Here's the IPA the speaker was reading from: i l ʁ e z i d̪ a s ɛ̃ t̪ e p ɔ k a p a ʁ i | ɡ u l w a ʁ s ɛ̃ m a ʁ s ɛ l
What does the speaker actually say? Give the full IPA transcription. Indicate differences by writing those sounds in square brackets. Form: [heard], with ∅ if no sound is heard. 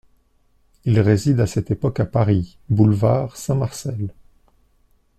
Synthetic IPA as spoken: i l ʁ e z i d̪ a s [ɛ] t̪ e p ɔ k a p a ʁ i | [b] u l [v] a ʁ s ɛ̃ m a ʁ s ɛ l

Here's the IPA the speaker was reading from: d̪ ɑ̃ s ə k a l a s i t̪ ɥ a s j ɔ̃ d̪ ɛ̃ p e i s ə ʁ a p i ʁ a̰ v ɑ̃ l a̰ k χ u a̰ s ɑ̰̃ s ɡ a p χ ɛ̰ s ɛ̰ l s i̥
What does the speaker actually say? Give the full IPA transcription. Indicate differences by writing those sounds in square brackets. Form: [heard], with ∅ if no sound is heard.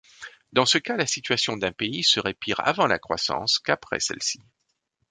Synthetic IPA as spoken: d̪ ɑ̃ s ə k a l a s i t̪ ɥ a s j ɔ̃ d̪ ɛ̃ p e i s ə ʁ [e] p i ʁ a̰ v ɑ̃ l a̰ k χ [w] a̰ s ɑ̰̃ s [k] a p χ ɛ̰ s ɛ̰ l s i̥

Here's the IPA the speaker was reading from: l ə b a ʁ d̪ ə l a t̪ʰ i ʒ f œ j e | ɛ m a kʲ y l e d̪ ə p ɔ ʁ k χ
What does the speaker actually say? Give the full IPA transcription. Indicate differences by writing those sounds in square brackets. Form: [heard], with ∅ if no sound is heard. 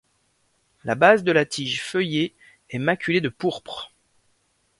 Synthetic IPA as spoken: l [a] b a [z] d̪ ə l a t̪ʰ i ʒ f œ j e | ɛ m a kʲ y l e d̪ ə p [u] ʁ [p] χ

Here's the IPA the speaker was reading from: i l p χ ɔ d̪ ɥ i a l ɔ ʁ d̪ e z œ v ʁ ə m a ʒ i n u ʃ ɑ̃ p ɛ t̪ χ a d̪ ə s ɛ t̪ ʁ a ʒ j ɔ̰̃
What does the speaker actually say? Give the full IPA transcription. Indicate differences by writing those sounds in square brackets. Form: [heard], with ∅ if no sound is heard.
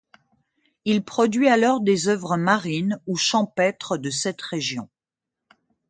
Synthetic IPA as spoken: i l p χ ɔ d̪ ɥ i a l ɔ ʁ d̪ e z œ v ʁ ə m a [ʁ] i n u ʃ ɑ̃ p ɛ t̪ χ [ə] d̪ ə s ɛ t̪ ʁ [e] ʒ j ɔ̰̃

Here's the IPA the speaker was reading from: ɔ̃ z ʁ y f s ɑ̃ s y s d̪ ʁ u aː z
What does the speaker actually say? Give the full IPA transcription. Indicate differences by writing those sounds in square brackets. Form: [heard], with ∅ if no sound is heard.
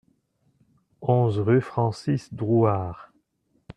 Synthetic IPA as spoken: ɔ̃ z ʁ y f [χ] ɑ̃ s [i] s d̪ ʁ u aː [ʁ]

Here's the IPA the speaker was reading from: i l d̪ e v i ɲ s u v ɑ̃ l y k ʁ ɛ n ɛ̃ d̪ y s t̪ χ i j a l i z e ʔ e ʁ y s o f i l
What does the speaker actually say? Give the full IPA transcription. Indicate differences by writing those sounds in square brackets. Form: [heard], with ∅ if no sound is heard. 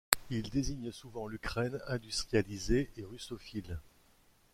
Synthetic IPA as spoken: i l d̪ e [z] i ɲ s u v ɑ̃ l y k [χ] ɛ n ɛ̃ d̪ y s t̪ χ i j a l i z e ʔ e ʁ y s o f i l

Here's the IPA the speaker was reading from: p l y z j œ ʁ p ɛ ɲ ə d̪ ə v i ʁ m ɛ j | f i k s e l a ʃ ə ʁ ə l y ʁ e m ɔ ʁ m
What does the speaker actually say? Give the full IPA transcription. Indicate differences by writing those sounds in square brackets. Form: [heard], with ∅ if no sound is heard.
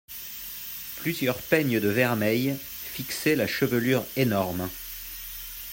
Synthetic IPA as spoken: p l y z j œ ʁ p ɛ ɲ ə d̪ ə v [ɛ] ʁ m ɛ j | f i k s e l a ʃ ə [v] ə l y ʁ e [n] ɔ ʁ m

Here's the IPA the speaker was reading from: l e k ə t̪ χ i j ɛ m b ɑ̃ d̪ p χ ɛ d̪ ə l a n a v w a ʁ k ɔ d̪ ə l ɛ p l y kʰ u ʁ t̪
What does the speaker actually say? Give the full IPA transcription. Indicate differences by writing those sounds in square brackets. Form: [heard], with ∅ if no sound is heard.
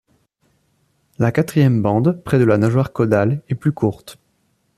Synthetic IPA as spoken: l [a] k [a] t̪ χ i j ɛ m b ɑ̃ d̪ p χ ɛ d̪ ə l a n a [ʒ] w a ʁ k ɔ d̪ [a] l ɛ p l y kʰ u ʁ t̪

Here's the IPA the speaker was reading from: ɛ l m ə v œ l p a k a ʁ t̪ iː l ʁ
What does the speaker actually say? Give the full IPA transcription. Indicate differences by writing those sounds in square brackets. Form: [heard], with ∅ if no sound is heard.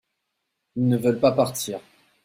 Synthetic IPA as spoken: [i] l [n] ə v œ l p a [p] a ʁ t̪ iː [∅] ʁ

